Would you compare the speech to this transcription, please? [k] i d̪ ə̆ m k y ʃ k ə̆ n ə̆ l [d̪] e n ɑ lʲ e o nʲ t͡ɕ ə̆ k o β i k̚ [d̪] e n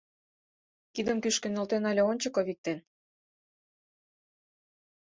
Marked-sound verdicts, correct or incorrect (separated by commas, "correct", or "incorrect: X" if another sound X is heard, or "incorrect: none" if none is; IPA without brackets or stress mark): correct, incorrect: t̪, incorrect: t̪